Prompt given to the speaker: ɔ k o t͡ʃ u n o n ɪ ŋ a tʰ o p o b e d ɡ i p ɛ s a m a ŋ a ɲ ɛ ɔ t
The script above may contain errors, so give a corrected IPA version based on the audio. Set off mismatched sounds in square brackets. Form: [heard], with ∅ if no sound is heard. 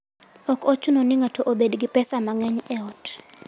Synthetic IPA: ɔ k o t͡ʃ u n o n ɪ ŋ a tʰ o [ʔ] o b e d ɡ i p ɛ s a m a ŋ [ɛ] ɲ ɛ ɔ t